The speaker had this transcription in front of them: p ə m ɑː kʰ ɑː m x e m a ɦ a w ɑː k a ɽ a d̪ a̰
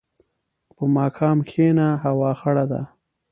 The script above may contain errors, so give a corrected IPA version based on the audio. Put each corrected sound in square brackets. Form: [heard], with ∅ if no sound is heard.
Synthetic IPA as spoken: p ə m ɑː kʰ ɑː m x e [n] a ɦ a w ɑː [x] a ɽ a d̪ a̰